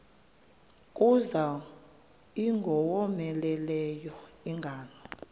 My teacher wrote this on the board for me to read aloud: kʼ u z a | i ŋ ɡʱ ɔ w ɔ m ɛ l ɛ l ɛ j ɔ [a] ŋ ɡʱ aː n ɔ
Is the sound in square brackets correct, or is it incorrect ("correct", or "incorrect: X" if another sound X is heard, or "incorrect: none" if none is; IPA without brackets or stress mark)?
incorrect: i